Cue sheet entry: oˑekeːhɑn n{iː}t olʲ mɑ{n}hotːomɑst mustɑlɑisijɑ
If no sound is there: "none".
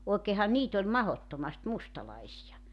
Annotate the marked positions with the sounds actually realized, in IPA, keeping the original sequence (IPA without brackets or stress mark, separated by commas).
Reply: iː, none